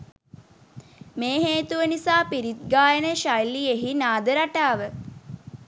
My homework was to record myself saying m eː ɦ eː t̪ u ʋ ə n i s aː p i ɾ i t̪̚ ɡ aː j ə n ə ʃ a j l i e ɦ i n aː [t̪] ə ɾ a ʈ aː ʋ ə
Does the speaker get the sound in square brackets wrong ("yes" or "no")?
yes